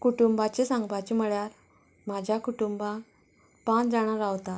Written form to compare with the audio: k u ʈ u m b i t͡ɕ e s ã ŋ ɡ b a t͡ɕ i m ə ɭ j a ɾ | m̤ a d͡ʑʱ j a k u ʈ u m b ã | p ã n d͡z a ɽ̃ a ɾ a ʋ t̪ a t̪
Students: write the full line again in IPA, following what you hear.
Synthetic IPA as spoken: k u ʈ u m b a t͡ɕ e s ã ŋ ɡ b a t͡ɕ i m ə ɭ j a ɾ | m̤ a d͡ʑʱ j a k u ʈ u m b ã | p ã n d͡z a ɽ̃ a ɾ a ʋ t̪ a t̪

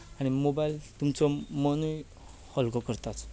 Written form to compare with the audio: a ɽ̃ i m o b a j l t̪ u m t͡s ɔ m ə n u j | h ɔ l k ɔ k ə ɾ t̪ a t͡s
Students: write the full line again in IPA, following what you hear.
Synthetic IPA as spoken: a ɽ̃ i m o b a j l t̪ u m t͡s ɔ m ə n u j | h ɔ l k ɔ k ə ɾ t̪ a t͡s

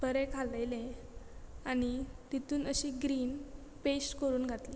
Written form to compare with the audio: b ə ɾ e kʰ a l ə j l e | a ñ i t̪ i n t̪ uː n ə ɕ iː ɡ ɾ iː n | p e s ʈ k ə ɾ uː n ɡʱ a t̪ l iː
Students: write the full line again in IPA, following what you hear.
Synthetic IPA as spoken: b ə ɾ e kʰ a l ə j l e | a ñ i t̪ i t̪ uː n ə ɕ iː ɡ ɾ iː n | p e s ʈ k ə ɾ uː n ɡʱ a t̪ l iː

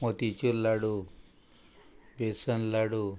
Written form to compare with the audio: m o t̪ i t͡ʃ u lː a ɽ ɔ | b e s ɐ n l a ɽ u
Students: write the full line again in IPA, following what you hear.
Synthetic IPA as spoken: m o t̪ i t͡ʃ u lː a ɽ u | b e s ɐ n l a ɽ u

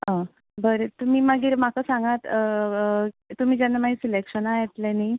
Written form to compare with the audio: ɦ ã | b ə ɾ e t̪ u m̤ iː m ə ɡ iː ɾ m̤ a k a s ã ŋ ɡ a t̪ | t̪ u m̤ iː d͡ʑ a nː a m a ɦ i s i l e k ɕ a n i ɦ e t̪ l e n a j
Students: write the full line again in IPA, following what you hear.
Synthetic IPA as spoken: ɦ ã | b ə ɾ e t̪ u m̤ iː m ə ɡ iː ɾ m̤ a k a s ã ŋ ɡ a t̪ | t̪ u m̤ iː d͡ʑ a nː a m a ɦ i s i l e k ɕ ə n a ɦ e t̪ l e n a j

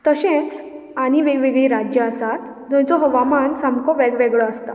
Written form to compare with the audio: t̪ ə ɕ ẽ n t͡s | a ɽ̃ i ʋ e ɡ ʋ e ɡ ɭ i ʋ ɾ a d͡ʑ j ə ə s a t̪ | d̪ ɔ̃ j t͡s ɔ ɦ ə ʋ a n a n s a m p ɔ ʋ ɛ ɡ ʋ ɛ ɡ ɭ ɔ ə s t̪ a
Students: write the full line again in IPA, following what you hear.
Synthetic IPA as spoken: t̪ ə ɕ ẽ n t͡s | a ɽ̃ i ʋ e ɡ ʋ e ɡ ɭ i ɾ a d͡ʑ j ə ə s a t̪ | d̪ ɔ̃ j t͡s ɔ ɦ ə ʋ a m a n s a m k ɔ ʋ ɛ ɡ ʋ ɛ ɡ ɭ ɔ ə s t̪ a

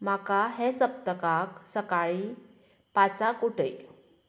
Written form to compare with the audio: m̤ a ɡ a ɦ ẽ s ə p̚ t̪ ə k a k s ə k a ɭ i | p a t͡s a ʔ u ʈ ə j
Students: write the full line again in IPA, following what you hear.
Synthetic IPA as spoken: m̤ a k a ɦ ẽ s ə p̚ t̪ ə k a k s ə k a ɭ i | p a t͡s a k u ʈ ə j

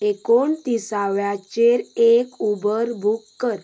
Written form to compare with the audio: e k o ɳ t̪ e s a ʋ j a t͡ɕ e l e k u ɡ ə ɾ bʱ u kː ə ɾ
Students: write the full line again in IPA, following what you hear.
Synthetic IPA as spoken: e k o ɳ t̪ i s a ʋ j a t͡ɕ e ɾ e k u b ə ɾ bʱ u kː ə ɾ

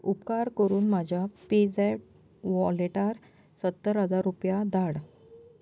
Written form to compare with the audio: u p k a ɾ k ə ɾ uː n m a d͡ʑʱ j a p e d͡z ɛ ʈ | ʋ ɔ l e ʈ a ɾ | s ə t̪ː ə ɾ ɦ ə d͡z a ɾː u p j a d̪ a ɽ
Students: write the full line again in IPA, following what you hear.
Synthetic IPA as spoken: u p k a ɾ k ə ɾ uː n m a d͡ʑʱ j a p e d͡z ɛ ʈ | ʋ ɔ l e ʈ a ɾ | s ə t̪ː ə ɾ ɦ ə d͡z a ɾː u p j a d̪ a ɽ

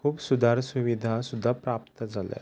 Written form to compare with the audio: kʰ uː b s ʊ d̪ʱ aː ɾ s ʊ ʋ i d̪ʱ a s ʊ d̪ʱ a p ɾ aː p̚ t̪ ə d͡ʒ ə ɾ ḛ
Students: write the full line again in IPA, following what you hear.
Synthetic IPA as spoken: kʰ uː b s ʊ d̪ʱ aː ɾ s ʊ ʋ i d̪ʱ a s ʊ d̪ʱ a p ɾ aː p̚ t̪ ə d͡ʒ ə l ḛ

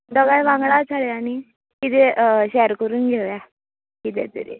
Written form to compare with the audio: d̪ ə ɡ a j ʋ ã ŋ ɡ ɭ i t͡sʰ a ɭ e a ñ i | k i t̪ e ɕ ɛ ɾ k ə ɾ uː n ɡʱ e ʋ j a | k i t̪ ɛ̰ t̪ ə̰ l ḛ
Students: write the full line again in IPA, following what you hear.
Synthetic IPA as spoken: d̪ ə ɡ a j ʋ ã ŋ ɡ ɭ a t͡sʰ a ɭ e a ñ i | k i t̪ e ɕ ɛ ɾ k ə ɾ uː n ɡʱ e ʋ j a | k i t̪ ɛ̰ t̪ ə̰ ɾ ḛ

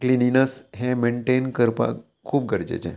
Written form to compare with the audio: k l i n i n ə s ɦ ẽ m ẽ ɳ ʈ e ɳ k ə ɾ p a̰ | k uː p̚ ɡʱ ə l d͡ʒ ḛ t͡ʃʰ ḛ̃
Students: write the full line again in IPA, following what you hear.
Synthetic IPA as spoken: k l i n i n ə s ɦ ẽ m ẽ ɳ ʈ e n k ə ɾ p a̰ | kʰ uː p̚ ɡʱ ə ɾ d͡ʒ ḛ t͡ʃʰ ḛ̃

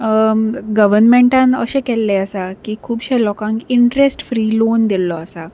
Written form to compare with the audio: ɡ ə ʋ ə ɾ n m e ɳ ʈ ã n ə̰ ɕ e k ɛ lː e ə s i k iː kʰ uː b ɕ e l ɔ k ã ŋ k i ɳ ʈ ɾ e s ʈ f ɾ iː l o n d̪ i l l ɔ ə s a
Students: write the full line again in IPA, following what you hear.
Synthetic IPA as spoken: ɡ ə ʋ ə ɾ n m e ɳ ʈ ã n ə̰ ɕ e k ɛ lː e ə s a k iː kʰ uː b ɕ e l ɔ k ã ŋ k i ɳ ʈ ɾ e s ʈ f ɾ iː l o n d̪ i l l ɔ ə s a

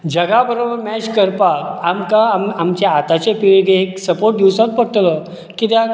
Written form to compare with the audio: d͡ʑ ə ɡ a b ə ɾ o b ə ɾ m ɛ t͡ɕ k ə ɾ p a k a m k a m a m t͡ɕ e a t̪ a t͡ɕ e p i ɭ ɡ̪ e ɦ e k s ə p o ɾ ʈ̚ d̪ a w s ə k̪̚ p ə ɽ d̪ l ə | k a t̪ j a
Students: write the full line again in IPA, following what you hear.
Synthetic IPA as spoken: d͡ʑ ə ɡ a b ə ɾ o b ə ɾ m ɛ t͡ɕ k ə ɾ p a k a m k a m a m t͡ɕ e a t̪ a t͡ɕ e p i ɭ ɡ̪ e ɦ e k s ə p o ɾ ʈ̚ d̪ i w s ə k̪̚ p ə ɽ t̪ l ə | k i t̪ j a

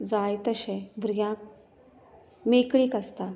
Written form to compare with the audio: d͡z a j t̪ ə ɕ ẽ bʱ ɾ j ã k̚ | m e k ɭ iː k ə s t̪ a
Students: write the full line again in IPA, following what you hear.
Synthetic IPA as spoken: d͡z a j t̪ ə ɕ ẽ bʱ ɾ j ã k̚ | m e k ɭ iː k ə s t̪ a

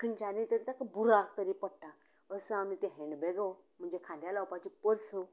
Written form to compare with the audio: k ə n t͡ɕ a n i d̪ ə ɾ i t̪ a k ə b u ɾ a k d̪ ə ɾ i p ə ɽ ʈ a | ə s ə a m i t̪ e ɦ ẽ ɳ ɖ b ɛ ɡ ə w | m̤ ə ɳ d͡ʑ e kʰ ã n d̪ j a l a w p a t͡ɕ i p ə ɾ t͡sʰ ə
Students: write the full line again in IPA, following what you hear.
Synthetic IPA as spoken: k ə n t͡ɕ a n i t̪ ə ɾ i t̪ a k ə b u ɾ a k t̪ ə ɾ i p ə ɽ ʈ a | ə s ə a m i t̪ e ɦ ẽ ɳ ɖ b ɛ ɡ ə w | m̤ ə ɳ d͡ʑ e kʰ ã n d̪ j a l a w p a t͡ɕ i p ə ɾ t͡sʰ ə

